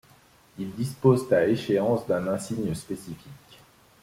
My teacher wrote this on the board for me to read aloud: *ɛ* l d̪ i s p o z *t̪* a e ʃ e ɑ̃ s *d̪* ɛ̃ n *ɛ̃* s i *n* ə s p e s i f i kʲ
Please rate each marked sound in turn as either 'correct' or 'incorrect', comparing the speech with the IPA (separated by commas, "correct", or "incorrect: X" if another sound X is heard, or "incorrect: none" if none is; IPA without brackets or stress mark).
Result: incorrect: i, correct, correct, correct, incorrect: ɲ